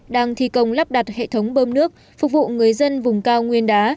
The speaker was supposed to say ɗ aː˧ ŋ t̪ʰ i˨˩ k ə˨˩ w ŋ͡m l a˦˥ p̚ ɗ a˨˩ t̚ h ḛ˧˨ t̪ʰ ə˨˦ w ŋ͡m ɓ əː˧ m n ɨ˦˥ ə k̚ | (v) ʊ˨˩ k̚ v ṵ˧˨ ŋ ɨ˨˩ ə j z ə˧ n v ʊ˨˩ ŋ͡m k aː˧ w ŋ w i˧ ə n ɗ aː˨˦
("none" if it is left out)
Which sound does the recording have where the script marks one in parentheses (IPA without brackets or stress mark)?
f